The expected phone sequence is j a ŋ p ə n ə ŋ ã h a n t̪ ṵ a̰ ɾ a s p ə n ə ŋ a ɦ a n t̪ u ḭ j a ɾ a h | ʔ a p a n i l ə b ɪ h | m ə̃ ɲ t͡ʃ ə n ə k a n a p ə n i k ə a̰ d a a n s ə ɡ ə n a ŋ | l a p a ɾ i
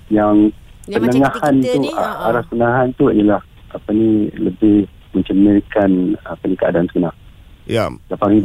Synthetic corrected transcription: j a ŋ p ə n ə ŋ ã h a n t̪ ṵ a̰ ɾ a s p ə n ə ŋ a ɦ a n t̪ u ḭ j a l a h | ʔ a p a n i l ə b ɪ h | m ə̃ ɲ t͡ʃ ə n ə k a n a p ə n i k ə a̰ d a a n s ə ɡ ə n a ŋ | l a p a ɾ i